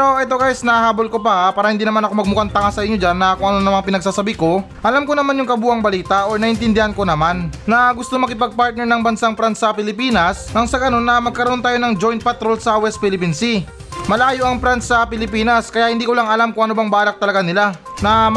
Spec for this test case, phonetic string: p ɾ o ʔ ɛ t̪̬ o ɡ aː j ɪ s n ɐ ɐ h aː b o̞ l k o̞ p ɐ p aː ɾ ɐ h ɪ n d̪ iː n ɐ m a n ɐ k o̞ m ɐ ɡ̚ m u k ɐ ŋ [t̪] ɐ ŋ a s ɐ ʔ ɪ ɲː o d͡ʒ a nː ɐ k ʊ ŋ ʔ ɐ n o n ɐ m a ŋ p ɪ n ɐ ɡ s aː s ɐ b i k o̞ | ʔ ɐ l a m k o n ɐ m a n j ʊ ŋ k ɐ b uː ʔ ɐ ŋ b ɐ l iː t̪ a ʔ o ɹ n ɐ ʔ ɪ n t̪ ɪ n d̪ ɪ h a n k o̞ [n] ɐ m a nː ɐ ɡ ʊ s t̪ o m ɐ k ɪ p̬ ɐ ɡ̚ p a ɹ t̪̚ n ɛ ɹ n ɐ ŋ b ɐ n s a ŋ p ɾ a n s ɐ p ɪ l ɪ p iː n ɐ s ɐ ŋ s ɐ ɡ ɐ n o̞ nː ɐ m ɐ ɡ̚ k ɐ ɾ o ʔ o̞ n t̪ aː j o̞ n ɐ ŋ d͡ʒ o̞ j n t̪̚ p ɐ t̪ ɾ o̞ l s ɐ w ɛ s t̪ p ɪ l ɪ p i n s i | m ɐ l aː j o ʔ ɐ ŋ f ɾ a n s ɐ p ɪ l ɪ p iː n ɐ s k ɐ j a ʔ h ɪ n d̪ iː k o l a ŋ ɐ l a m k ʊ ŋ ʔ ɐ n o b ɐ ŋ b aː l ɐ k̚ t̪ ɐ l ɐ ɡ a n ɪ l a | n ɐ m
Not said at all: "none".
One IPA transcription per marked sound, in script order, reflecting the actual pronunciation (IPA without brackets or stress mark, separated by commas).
t̪, n